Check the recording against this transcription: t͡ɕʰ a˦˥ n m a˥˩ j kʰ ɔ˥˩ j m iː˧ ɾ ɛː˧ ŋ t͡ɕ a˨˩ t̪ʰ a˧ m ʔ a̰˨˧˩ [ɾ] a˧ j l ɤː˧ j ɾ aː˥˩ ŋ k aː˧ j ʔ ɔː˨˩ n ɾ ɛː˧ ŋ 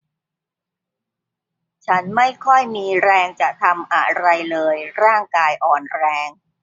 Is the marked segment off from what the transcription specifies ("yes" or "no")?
no